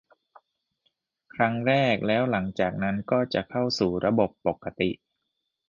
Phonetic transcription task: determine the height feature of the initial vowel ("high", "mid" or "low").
low